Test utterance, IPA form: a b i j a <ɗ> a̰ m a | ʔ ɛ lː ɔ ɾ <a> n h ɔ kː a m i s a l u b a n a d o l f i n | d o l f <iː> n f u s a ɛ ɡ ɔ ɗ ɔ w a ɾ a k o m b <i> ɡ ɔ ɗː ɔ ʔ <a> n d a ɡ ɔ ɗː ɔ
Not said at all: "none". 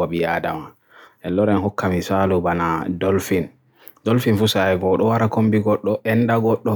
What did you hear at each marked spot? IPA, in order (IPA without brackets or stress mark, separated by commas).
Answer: d, ɛ, i, i, ɛ